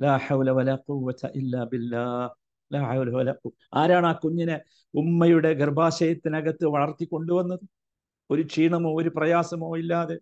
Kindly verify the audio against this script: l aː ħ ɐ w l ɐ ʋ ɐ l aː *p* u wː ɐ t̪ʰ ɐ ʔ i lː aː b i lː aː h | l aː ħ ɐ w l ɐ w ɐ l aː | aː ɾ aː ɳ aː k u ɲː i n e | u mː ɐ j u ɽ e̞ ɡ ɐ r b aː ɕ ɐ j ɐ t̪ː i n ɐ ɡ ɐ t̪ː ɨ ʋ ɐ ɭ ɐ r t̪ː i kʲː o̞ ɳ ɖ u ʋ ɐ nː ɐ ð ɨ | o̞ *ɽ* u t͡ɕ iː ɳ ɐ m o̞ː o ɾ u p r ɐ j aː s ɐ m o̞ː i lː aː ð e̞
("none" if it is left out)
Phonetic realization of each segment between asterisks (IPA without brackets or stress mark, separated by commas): q, ɾ